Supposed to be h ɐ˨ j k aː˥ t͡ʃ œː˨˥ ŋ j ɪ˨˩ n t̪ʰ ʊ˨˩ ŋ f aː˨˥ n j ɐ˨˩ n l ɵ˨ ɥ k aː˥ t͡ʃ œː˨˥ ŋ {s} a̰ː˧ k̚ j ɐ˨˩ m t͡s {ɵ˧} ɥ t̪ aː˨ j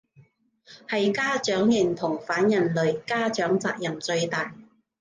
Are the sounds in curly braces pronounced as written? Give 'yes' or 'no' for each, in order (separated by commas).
no, yes